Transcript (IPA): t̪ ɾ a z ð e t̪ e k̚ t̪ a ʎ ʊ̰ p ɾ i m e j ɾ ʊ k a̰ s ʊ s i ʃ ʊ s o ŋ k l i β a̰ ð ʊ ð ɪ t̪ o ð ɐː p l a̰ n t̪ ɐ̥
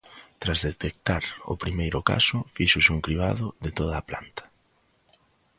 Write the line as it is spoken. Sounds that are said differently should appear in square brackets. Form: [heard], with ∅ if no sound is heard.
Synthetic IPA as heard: t̪ ɾ a z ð e t̪ e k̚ t̪ a [ɾ] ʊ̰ p ɾ i m e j ɾ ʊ k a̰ s ʊ [f] i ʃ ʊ s [u] ŋ k [ɾ] i β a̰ ð ʊ ð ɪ t̪ o ð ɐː p l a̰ n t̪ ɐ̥